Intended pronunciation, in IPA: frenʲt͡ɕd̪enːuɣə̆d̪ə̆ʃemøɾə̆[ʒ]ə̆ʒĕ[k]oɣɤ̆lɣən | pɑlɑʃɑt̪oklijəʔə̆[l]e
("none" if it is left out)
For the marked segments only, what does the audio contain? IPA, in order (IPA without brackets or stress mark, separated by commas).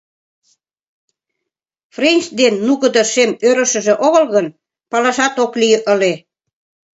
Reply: ʃ, ʔ, l